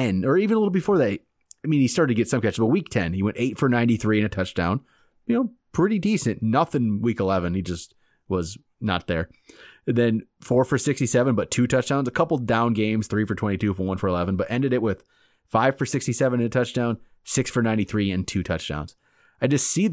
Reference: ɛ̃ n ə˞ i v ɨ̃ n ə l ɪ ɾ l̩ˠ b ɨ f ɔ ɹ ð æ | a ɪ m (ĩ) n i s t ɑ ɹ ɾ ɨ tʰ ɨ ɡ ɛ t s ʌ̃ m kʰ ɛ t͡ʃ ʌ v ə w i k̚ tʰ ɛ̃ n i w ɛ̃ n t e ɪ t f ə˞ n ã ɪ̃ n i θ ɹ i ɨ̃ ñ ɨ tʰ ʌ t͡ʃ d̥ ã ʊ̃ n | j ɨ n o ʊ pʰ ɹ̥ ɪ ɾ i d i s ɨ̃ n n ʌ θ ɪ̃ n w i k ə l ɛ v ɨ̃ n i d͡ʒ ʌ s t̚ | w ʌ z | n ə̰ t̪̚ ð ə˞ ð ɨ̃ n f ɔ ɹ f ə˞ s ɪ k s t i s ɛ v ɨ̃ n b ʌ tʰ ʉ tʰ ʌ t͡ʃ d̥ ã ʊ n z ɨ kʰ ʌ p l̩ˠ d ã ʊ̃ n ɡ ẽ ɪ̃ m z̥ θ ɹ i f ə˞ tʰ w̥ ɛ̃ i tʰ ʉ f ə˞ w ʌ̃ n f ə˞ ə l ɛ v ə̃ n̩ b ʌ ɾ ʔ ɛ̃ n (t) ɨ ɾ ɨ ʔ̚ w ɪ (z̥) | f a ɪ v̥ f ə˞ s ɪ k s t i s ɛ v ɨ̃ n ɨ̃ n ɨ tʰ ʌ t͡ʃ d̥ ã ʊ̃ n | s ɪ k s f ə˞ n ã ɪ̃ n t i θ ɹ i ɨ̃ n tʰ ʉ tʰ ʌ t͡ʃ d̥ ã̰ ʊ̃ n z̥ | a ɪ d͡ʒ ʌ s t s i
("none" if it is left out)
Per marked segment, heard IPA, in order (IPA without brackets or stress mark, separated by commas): ĩ, d, ð̥